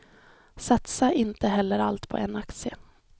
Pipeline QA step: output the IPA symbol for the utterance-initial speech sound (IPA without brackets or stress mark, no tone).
s